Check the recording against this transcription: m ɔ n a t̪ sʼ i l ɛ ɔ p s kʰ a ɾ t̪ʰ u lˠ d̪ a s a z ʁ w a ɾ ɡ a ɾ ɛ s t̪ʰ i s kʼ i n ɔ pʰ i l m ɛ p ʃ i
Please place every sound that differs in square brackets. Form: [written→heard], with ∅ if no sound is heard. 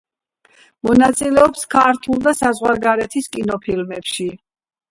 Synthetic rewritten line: m ɔ n a t̪ sʼ i l ɛ ɔ p s kʰ a ɾ t̪ʰ u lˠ d̪ a s a z ʁ w a ɾ ɡ a ɾ ɛ [s→∅] t̪ʰ i s kʼ i n ɔ pʰ i l m ɛ p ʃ i